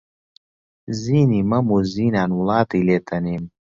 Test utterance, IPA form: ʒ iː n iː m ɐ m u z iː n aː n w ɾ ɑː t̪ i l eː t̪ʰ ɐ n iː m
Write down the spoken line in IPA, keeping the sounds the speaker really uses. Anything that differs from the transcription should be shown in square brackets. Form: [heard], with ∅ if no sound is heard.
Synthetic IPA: [z] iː n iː m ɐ m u z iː n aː n w [l] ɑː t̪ i l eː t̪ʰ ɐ n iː m